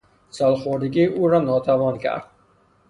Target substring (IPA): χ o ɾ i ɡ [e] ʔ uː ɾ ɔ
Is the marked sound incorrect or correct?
incorrect: i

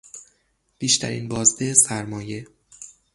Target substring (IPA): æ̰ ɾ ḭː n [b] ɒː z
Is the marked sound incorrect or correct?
correct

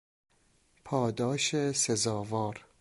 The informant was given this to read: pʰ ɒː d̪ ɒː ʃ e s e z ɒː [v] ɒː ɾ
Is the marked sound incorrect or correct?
correct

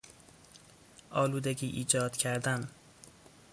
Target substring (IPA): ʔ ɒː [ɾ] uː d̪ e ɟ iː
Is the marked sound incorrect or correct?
incorrect: l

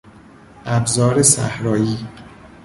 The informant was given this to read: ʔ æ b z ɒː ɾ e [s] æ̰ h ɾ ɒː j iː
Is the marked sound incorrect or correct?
correct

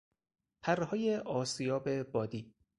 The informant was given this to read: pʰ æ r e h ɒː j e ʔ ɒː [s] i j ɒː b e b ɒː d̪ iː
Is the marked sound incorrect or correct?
correct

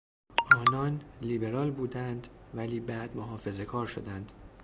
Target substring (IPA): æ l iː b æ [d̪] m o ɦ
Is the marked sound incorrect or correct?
correct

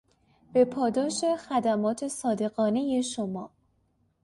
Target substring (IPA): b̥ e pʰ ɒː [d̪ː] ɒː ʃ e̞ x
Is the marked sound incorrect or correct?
incorrect: d̪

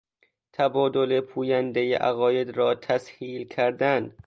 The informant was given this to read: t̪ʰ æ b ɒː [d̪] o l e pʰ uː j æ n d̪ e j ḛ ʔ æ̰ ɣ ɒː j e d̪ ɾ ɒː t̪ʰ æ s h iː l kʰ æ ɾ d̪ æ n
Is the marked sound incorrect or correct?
correct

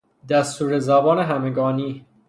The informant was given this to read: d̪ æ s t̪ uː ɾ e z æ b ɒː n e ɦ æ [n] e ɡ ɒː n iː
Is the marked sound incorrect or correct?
incorrect: m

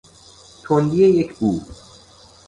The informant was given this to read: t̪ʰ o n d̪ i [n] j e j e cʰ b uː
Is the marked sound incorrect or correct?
incorrect: none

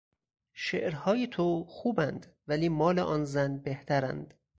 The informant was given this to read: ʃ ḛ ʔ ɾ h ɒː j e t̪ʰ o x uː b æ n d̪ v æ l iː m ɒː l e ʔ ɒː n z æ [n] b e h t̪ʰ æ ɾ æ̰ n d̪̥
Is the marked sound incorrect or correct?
correct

